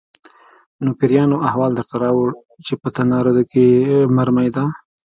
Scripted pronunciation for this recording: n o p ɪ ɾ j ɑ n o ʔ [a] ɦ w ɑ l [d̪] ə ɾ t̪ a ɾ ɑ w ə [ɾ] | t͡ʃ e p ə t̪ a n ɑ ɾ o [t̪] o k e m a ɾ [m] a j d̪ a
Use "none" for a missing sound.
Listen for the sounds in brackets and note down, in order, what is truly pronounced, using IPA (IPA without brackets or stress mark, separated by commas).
a, d̪, ɽ, d̪, m